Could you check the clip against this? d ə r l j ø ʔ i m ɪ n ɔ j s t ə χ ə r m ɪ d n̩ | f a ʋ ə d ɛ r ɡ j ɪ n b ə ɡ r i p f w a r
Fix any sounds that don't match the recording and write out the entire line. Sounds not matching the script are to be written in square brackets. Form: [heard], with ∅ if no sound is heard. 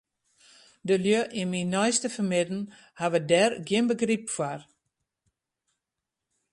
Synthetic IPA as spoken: d ə [∅] l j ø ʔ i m [i] n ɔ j s t ə [f] ə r m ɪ d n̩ | [h] a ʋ ə d ɛ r ɡ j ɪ n b ə ɡ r i p f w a r